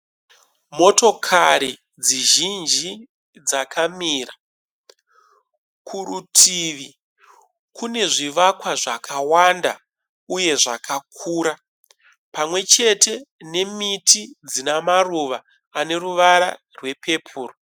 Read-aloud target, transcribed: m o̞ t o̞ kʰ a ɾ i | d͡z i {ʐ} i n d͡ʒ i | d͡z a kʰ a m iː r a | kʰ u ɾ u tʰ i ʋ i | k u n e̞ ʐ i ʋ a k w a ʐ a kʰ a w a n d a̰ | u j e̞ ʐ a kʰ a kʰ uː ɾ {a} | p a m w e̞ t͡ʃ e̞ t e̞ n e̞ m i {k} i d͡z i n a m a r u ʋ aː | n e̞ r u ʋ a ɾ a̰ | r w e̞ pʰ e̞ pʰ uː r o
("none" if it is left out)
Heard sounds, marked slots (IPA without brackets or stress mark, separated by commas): ʒ, a, t